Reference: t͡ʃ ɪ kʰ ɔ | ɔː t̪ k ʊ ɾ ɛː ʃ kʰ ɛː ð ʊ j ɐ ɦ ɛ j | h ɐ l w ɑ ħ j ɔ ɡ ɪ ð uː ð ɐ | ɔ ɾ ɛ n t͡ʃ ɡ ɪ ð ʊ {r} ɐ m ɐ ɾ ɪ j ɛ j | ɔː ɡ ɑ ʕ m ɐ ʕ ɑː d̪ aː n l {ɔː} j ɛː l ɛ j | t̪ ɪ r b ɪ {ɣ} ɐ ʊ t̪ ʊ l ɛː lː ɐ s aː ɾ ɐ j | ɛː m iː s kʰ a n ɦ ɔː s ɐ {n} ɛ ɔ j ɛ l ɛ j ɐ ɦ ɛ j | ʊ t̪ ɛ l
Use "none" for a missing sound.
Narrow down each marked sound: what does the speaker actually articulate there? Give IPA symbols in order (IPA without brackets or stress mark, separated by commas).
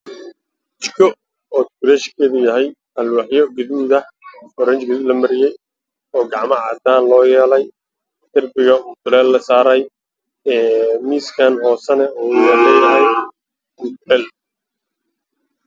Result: l, ɔː, ɣ, n